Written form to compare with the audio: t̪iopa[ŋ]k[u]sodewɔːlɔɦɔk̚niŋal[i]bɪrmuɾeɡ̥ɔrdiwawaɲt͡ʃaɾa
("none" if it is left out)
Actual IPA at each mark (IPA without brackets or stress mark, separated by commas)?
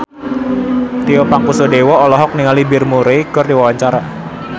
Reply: ŋ, u, i